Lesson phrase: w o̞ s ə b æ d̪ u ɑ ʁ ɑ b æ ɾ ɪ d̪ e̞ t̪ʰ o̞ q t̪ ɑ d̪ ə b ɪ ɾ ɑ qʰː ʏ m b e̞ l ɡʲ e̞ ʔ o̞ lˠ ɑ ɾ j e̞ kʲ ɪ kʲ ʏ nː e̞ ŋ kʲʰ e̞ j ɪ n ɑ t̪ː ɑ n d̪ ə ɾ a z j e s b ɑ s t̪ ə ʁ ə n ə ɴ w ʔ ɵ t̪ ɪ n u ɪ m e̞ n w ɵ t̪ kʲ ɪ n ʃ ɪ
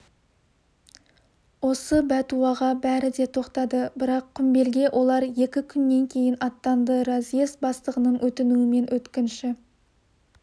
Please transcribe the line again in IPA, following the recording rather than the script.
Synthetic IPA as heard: w o̞ s ə b æ t̪ u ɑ ʁ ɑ b æ ɾ ɪ d̪ e̞ t̪ʰ o̞ q t̪ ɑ d̪ ə b ɪ ɾ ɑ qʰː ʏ m b e̞ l ɡʲ e̞ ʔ o̞ lˠ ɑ ɾ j e̞ kʲ ɪ kʲʰ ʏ nː e̞ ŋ kʲʰ e̞ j ɪ n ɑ t̪ː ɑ n d̪ ə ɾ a z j e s b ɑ s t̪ ə ʁ ə n ə ɴ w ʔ ɵ t̪ ɪ n u ɪ m e̞ n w ɵ t̪ kʲ ɪ n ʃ ɪ